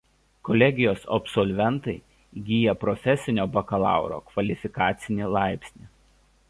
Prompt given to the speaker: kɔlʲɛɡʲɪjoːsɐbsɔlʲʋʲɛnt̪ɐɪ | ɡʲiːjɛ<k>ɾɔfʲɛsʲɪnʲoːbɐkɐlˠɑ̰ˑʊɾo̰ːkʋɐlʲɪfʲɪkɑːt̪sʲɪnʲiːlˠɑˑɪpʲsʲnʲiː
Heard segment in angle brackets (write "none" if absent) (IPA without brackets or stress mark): p